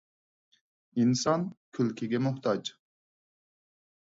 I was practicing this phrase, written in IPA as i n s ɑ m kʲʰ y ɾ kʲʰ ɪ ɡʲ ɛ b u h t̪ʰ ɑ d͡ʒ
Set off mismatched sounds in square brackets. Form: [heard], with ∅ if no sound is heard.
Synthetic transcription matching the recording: i n s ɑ [n] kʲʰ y [l] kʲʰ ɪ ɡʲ ɛ [m] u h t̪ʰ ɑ d͡ʒ